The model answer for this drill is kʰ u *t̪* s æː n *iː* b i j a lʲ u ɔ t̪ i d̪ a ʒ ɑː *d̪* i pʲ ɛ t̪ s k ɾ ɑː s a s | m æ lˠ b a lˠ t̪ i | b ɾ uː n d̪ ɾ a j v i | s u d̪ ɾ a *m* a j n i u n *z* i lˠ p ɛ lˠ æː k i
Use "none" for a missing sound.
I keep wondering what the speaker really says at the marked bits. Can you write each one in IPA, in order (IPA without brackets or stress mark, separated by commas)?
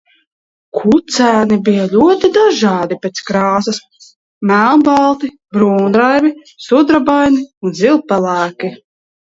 t̪, i, d̪, b, z